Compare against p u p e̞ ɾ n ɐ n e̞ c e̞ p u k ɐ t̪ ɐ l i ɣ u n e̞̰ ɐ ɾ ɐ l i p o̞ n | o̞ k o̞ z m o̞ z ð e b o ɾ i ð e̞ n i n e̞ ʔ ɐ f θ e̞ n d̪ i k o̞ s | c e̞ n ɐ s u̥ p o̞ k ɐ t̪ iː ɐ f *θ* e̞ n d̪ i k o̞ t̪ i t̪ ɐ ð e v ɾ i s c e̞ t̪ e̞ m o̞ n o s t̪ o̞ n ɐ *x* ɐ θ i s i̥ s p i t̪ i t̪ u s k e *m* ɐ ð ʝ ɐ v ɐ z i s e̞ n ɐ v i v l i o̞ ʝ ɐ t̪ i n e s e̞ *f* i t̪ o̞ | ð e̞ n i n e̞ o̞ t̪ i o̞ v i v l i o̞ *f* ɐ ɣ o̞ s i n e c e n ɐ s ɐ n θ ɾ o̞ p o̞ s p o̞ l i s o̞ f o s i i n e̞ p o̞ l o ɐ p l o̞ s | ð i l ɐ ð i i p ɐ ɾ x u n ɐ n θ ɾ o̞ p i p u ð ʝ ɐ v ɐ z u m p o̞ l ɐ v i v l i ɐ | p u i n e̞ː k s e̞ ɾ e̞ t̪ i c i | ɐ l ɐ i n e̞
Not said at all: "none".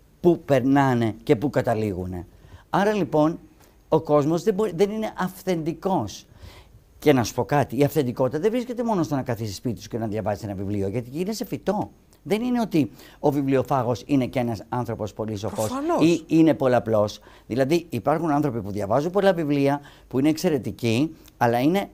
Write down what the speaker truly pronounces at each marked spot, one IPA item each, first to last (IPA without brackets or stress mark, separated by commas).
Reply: θ, k, n, f, f